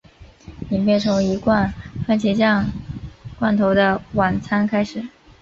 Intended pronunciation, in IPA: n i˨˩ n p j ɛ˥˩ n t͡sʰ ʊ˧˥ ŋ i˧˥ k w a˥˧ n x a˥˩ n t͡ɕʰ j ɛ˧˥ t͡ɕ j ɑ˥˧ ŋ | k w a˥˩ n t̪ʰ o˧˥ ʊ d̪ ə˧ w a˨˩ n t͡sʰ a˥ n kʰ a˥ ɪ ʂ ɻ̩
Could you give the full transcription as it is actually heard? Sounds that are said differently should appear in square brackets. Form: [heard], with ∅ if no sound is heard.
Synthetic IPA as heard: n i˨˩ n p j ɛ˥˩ n t͡sʰ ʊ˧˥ ŋ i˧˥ k w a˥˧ n [f] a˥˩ n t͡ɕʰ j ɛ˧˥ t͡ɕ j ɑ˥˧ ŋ | k w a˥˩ n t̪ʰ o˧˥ ʊ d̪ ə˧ w a˨˩ n t͡sʰ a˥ n kʰ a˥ ɪ ʂ ɻ̩